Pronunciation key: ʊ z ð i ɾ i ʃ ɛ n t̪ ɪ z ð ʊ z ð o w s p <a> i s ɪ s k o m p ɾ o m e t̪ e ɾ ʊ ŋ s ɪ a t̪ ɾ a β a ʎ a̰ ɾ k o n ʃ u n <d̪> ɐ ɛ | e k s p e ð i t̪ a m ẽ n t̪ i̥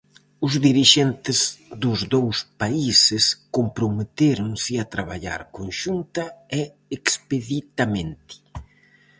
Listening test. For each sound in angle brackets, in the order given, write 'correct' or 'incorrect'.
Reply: correct, incorrect: t̪

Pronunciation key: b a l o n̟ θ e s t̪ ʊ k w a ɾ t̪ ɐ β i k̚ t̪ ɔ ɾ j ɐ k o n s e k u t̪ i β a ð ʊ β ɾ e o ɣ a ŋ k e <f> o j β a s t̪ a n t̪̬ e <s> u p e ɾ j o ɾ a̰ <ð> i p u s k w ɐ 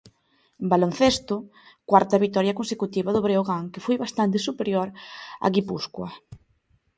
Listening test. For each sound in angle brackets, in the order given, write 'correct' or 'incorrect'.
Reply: correct, correct, incorrect: ɣ

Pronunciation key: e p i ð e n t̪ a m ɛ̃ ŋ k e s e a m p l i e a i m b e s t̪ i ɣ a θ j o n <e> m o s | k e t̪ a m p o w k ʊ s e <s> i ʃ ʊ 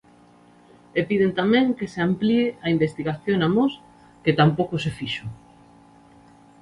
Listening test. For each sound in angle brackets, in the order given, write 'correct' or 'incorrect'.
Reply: incorrect: a, incorrect: f

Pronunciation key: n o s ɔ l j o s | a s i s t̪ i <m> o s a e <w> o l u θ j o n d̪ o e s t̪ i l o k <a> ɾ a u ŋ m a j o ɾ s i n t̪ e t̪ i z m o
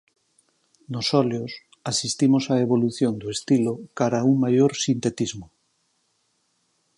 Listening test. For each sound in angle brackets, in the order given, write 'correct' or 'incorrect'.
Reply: correct, incorrect: β, correct

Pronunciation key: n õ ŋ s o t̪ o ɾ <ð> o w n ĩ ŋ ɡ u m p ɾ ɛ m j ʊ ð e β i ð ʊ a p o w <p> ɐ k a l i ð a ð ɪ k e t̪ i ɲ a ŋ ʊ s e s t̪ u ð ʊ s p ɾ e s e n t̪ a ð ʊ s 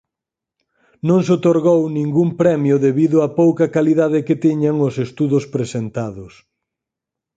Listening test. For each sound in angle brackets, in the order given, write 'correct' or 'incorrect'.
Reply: incorrect: ɣ, incorrect: k

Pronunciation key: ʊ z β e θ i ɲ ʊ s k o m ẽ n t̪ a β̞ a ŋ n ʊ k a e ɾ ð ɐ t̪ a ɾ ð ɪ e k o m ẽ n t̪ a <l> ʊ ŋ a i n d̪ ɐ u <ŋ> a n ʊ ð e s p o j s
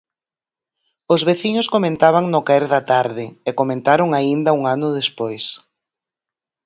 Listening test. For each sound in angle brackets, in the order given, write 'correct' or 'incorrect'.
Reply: incorrect: ɾ, correct

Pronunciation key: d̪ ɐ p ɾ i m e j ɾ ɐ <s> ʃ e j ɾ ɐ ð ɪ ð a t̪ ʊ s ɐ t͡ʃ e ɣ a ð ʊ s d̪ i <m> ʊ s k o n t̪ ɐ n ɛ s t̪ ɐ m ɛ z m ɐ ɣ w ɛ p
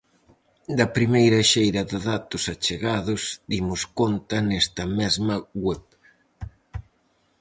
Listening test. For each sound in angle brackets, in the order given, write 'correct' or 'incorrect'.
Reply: incorrect: none, correct

